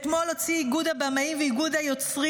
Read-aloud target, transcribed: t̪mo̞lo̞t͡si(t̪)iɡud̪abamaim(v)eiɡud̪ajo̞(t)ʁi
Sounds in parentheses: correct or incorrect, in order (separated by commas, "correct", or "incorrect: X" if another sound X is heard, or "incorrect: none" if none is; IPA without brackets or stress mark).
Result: incorrect: none, correct, incorrect: t͡s